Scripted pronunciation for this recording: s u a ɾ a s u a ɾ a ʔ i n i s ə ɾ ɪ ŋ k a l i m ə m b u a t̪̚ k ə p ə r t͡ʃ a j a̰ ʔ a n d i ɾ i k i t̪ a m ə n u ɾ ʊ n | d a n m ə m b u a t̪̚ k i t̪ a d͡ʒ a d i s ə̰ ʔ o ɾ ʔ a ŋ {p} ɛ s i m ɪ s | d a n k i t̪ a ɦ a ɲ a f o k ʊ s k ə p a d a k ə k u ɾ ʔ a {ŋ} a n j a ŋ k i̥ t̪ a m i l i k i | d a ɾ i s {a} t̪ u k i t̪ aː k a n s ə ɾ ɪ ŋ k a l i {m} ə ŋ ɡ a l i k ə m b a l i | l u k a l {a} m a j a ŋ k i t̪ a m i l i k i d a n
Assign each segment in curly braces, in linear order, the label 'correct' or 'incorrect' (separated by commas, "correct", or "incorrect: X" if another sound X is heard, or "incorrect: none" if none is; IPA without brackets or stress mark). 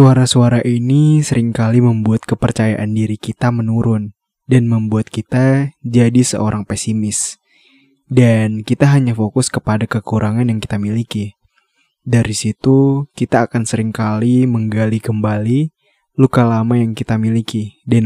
correct, correct, incorrect: i, correct, correct